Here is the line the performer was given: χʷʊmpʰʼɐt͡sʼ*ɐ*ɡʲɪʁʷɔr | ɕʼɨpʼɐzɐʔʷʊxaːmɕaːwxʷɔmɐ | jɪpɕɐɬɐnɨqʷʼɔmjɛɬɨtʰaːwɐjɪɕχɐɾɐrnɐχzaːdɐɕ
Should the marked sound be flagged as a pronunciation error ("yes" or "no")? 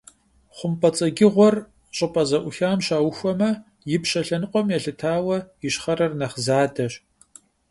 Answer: no